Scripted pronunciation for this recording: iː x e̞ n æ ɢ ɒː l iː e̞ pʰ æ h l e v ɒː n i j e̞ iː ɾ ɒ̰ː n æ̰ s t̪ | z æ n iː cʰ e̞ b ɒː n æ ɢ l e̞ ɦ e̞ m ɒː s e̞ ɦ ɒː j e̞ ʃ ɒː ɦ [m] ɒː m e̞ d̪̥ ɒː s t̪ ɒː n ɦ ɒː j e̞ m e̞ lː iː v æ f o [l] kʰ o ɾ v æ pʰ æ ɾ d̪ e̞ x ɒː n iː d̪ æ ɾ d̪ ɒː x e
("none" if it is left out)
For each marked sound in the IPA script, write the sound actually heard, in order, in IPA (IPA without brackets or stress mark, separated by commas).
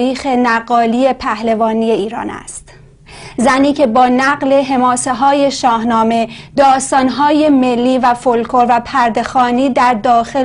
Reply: n, l